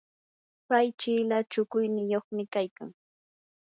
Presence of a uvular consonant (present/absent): present